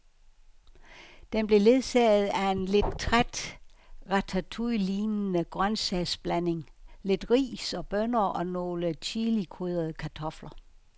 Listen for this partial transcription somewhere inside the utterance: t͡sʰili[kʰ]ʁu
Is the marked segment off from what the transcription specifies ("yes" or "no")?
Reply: no